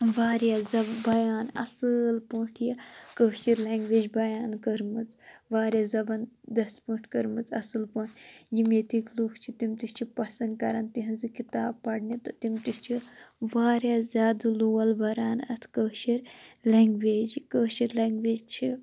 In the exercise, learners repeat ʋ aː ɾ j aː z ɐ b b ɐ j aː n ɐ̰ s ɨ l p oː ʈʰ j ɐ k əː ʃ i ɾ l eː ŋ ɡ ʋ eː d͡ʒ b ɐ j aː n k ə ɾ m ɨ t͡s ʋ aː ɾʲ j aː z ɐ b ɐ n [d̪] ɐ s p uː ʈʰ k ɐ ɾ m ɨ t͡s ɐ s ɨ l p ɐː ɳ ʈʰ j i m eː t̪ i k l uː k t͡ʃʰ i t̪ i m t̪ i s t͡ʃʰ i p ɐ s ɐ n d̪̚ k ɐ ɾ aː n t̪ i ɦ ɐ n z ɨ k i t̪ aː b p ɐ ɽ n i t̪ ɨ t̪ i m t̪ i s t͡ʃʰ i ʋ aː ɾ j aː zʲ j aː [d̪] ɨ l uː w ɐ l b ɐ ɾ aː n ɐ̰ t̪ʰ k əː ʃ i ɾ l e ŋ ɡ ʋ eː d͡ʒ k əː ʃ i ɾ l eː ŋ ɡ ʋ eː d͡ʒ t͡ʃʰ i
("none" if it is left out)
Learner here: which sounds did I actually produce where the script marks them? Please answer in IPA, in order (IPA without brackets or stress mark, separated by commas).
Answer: d̪, d̪